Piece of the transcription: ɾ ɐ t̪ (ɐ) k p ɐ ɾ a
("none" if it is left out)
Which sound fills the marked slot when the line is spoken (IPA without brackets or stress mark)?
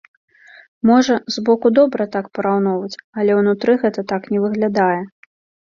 a